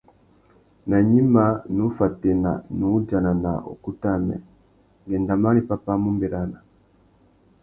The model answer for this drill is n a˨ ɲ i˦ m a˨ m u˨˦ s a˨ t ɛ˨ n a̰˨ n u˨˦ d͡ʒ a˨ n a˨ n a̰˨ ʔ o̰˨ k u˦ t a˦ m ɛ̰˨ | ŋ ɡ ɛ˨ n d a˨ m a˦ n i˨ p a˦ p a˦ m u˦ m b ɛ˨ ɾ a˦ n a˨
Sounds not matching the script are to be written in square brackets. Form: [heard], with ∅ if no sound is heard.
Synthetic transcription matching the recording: n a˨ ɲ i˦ m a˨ [n] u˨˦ [f] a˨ t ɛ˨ n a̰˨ n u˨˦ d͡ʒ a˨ n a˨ n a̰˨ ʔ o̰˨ k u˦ t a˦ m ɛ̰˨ | ŋ ɡ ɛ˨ n d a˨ m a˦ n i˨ p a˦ p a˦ m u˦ m b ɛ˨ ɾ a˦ n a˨

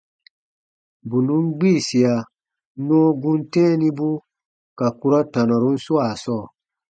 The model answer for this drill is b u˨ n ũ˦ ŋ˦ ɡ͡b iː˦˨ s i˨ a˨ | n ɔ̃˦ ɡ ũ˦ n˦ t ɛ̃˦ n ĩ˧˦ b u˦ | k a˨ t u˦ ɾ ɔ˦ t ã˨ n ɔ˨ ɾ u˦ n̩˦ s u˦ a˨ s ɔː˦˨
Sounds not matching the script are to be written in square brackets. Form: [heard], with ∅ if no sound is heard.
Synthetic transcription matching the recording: b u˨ n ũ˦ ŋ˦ ɡ͡b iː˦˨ s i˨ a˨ | n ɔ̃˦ ɡ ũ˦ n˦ t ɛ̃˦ n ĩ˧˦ b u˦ | k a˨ [k] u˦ ɾ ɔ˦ t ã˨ n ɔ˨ ɾ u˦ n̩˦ s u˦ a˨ s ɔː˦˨

